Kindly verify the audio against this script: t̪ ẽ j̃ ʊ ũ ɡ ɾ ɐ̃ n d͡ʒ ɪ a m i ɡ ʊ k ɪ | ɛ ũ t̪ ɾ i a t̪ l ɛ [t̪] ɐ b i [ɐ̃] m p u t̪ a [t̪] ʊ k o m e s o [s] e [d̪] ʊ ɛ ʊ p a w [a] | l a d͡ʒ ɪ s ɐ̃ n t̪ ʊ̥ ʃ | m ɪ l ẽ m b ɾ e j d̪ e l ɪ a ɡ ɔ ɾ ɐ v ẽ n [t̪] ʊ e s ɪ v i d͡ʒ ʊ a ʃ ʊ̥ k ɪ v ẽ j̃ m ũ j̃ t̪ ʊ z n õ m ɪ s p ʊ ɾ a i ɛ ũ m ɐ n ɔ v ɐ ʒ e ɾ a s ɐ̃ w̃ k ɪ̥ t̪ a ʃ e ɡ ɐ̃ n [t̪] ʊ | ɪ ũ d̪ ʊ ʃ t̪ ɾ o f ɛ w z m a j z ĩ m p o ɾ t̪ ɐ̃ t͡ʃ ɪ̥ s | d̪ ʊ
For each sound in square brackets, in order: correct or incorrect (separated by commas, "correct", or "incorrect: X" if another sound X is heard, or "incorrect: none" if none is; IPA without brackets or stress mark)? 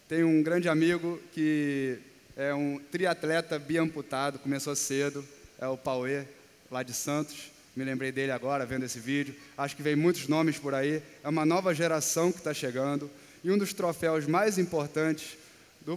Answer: correct, correct, incorrect: d̪, correct, correct, incorrect: e, incorrect: d̪, incorrect: d̪